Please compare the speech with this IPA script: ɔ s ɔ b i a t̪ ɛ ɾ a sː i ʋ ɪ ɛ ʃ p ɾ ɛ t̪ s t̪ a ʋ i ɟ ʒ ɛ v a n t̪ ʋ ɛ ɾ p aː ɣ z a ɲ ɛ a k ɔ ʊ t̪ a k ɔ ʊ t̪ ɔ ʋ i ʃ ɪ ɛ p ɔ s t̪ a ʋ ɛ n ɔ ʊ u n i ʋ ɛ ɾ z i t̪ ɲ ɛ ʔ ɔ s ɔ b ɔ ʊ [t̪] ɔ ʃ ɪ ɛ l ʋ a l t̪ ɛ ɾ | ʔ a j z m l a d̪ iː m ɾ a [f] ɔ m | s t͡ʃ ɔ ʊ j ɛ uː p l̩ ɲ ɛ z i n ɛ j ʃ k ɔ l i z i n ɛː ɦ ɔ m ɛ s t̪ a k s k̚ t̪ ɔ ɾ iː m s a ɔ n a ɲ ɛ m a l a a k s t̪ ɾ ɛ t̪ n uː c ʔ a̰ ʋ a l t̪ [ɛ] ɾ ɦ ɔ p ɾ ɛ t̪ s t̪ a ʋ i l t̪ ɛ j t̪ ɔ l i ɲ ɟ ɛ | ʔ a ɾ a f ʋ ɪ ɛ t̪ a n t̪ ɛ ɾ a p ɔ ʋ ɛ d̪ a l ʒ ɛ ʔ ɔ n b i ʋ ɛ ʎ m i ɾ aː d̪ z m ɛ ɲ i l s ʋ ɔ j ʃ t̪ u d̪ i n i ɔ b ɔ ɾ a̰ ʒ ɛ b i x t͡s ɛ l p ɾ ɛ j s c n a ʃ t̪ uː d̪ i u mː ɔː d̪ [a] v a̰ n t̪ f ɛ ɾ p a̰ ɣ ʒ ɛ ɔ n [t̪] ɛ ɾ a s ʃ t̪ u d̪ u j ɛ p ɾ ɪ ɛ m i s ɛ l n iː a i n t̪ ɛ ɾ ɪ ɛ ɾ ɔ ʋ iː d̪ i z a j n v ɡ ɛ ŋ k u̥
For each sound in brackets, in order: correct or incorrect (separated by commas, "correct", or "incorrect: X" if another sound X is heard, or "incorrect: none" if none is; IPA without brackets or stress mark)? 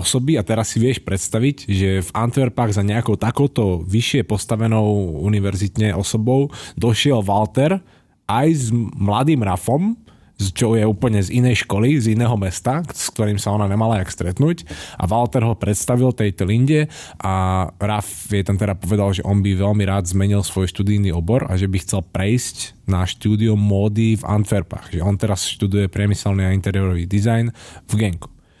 incorrect: d̪, correct, correct, incorrect: i, correct